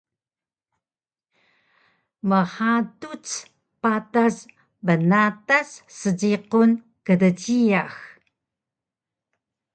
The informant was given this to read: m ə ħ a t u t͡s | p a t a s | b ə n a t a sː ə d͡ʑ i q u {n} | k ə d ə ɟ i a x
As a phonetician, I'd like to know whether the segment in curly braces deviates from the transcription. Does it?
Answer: no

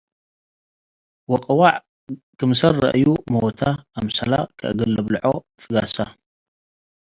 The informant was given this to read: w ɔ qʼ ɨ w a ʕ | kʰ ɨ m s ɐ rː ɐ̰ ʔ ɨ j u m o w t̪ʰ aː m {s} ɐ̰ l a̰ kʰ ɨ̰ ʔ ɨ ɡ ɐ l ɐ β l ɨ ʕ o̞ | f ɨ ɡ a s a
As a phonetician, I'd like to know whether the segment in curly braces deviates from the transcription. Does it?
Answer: no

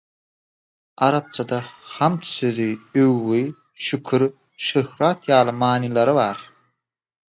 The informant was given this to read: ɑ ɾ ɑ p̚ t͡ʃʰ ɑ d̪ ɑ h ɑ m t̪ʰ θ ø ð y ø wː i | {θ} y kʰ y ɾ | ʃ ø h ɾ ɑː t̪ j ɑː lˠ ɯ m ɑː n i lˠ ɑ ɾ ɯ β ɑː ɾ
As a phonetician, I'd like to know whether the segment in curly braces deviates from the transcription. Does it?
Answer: yes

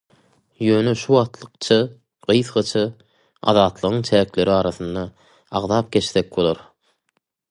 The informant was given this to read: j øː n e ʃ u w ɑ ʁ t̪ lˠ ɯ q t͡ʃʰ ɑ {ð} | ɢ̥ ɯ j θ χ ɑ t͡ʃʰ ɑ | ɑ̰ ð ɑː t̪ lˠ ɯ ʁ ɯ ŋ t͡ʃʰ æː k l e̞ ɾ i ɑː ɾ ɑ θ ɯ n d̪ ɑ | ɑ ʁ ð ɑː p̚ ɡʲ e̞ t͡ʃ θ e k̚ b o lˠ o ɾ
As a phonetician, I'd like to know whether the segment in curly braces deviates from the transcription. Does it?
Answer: yes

